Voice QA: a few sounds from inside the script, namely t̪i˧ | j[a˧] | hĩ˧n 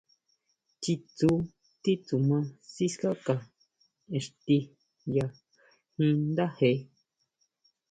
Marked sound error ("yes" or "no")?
no